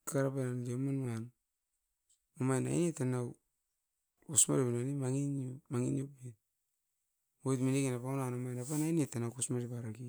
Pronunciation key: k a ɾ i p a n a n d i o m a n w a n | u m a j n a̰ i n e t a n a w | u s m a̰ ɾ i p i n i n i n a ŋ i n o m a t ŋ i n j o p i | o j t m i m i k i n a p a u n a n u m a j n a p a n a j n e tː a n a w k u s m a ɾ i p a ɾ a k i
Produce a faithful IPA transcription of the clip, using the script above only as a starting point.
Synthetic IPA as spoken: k a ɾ a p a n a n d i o m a n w a n | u m a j n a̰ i n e t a n a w | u s m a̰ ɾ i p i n a n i m a ŋ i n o m a ŋ i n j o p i | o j t m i n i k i n a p a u n a n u m a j n a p a n a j n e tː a n a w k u s m a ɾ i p a ɾ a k i